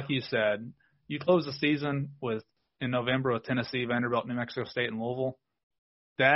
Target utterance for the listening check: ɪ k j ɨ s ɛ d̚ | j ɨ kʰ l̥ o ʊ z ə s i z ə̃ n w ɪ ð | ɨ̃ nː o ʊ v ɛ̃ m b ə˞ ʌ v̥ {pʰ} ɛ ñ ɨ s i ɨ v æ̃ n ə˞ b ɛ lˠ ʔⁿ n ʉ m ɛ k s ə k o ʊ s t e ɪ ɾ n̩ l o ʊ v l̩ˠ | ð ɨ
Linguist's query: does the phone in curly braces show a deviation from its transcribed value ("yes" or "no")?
yes